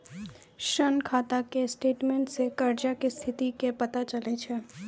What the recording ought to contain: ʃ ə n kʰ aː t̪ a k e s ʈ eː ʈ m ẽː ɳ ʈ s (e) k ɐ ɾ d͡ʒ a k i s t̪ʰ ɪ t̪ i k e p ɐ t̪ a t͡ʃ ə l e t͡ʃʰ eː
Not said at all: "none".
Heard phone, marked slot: e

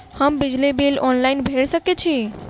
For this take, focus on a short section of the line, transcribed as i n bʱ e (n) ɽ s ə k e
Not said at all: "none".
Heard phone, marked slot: none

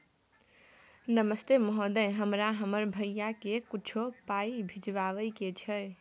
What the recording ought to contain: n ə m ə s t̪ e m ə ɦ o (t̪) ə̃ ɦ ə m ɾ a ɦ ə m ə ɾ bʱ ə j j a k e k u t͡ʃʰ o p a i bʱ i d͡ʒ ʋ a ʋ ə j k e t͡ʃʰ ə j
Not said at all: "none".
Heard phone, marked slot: d̪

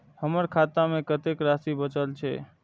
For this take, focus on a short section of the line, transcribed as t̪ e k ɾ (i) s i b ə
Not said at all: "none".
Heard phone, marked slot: a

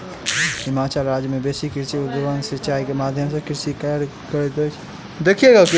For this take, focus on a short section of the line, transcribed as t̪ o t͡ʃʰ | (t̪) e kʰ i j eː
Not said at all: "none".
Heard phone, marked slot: d̪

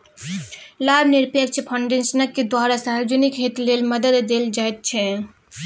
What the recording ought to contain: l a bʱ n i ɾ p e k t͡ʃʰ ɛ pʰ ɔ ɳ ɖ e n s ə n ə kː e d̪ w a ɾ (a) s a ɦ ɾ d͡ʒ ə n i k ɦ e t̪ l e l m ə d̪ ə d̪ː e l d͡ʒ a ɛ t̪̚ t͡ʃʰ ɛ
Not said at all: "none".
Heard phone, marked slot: a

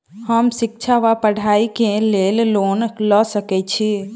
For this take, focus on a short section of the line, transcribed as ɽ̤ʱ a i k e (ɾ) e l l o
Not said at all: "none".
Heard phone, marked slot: l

